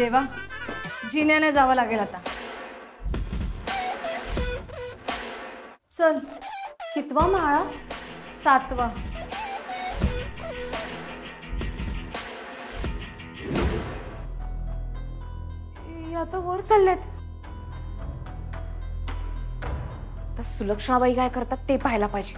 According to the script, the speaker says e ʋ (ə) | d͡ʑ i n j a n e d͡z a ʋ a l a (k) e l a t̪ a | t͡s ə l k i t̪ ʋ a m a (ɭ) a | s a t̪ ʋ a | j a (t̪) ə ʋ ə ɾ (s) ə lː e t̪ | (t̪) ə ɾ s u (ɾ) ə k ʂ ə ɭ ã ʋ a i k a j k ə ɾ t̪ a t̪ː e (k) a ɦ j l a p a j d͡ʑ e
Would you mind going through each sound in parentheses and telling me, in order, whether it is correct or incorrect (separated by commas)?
incorrect, incorrect, correct, correct, incorrect, correct, incorrect, incorrect